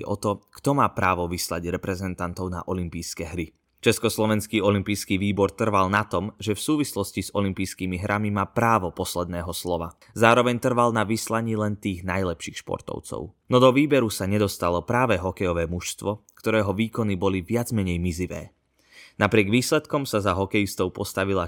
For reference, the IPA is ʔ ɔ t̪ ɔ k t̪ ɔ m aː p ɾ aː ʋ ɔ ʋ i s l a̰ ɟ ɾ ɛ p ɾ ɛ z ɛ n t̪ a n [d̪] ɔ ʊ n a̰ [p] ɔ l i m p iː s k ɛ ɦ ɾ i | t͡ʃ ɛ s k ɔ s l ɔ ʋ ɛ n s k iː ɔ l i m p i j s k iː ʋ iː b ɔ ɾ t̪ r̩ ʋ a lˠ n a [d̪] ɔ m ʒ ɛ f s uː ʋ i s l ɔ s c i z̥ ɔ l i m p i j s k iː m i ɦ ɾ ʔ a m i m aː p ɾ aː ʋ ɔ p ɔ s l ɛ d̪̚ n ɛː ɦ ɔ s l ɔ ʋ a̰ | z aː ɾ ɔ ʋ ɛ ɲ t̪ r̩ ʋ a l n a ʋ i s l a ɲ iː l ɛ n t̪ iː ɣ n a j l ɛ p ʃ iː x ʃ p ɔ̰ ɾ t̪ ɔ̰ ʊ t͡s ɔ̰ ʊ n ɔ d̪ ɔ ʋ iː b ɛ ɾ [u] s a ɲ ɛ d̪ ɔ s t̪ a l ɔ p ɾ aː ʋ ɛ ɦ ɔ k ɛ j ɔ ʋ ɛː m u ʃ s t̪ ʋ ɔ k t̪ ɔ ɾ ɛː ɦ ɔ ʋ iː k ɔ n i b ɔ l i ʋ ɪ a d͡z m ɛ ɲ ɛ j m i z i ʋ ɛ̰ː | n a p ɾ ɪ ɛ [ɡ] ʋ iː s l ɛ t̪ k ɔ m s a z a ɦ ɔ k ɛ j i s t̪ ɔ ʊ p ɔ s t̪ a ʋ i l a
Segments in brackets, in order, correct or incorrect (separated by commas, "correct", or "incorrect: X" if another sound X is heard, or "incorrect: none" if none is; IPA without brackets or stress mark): incorrect: t̪, incorrect: ʔ, incorrect: t̪, correct, correct